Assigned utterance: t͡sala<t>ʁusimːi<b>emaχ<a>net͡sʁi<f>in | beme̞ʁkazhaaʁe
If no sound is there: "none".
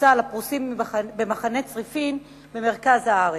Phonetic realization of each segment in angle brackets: p, b, a, f

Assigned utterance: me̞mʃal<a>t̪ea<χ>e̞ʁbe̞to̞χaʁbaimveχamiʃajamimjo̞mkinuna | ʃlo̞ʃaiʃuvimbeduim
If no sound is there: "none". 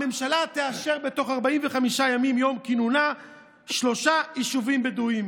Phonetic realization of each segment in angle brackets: a, ʃ

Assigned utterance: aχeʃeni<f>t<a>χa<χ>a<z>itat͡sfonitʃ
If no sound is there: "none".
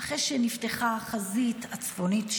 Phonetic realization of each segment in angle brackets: f, e, χ, z

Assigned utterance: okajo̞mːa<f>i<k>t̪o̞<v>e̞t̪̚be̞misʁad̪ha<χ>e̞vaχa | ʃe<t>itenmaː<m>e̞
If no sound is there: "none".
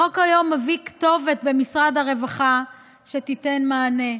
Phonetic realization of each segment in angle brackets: v, k, v, ʁ, t, n

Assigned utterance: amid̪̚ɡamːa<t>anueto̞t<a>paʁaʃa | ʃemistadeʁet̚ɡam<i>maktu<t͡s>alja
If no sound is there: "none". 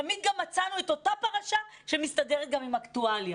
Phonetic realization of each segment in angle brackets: t͡s, a, i, none

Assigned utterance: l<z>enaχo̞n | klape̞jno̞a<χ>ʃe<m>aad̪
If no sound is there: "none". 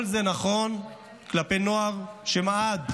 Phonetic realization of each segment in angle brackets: z, ʁ, m

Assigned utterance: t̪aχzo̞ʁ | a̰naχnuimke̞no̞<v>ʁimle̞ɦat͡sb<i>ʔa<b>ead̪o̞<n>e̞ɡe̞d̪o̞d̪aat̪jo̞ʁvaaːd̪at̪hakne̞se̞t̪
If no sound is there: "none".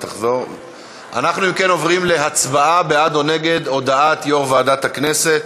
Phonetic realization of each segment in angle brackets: v, a, b, n

